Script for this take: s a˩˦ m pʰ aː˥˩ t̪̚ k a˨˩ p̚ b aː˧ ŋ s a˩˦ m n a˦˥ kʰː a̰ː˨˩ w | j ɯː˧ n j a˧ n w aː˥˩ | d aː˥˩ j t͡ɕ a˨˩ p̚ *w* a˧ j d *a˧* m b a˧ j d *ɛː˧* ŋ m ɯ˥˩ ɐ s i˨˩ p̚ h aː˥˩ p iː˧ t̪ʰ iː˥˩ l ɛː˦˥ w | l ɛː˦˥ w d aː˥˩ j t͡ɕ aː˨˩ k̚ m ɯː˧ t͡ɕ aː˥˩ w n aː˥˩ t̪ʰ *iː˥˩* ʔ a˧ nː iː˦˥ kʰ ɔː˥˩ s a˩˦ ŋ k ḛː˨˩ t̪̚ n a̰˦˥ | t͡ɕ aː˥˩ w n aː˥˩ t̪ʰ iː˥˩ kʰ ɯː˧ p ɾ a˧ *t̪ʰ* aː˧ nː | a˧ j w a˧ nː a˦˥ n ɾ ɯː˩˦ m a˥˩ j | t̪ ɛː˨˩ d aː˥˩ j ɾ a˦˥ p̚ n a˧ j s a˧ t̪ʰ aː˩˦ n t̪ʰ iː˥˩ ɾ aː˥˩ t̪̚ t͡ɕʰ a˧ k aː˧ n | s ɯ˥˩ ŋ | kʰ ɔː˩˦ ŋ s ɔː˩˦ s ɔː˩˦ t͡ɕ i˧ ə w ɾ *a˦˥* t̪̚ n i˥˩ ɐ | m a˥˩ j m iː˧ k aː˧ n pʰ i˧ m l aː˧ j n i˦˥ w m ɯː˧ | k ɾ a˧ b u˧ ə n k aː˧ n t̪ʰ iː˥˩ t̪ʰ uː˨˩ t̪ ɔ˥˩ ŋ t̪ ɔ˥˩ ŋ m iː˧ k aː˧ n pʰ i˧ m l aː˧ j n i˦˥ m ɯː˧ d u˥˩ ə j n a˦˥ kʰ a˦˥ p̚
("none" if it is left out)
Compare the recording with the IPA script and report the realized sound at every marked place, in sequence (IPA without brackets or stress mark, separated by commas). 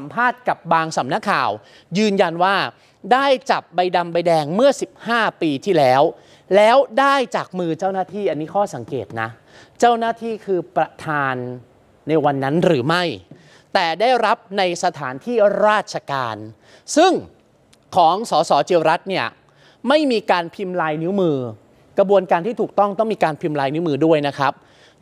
b, a˧, ɛː˧, iː˥˩, t̪ʰ, a˦˥